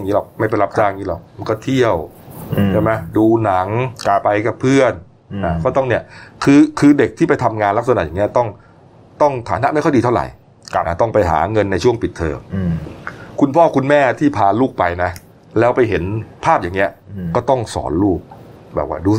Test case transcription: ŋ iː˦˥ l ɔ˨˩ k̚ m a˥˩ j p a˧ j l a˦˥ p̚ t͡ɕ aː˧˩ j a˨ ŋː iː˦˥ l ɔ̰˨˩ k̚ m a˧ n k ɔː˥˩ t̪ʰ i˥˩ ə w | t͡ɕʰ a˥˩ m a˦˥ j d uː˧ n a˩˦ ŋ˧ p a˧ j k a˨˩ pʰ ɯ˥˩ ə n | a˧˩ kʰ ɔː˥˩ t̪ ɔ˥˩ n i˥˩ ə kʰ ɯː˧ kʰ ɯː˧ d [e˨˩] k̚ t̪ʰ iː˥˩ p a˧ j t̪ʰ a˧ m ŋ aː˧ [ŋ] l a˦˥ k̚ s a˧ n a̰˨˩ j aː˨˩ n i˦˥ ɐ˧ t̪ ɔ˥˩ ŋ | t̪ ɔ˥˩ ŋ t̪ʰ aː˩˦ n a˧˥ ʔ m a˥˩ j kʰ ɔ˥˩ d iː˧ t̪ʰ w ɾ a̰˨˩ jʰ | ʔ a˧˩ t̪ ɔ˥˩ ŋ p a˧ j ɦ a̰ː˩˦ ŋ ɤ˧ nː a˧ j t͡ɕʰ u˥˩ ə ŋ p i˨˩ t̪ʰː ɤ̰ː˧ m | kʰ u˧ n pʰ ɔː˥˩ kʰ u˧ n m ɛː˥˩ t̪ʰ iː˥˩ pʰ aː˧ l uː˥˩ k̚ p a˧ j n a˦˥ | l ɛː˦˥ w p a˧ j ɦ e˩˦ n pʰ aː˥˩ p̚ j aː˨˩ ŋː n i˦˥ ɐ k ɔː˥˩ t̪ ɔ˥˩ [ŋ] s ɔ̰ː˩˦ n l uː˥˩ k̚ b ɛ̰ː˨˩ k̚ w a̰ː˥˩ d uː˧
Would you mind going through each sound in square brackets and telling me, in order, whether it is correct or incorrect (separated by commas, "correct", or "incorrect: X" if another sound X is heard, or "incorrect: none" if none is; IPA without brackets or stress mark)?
correct, incorrect: n, correct